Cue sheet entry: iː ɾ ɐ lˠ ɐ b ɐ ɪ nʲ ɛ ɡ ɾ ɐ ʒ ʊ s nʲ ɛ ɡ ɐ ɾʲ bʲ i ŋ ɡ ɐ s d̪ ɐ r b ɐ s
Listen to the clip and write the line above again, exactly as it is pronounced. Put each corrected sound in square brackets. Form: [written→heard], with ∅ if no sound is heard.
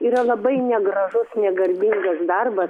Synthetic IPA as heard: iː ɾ ɐ lˠ ɐ b ɐ ɪ nʲ ɛ ɡ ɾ ɐ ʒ ʊ s nʲ ɛ ɡ ɐ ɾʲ bʲ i ŋ ɡ ɐ s d̪ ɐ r b ɐ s